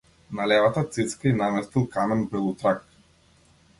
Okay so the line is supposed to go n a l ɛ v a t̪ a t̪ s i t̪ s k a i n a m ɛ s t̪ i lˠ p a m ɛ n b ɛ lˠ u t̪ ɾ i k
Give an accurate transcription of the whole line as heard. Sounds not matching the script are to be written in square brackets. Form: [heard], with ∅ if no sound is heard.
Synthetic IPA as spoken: n a l ɛ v a t̪ a t̪ s i t̪ s k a i n a m ɛ s t̪ i lˠ [k] a m ɛ n b ɛ lˠ u t̪ ɾ [a] k